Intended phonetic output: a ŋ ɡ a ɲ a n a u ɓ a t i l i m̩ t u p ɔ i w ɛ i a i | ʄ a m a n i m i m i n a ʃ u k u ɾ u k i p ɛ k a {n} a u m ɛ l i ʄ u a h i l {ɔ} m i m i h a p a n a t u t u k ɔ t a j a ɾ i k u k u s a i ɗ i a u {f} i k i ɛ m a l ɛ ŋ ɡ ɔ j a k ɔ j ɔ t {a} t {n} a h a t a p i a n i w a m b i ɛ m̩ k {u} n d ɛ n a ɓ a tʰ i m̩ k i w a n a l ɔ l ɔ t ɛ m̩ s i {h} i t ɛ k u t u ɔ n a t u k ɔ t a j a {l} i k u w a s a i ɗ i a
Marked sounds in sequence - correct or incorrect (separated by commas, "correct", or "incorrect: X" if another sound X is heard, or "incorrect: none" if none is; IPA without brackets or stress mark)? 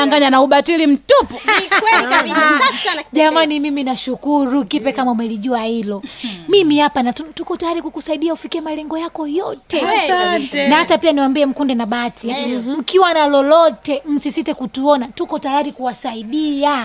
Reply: incorrect: m, correct, correct, incorrect: ɛ, correct, correct, incorrect: s, incorrect: ɾ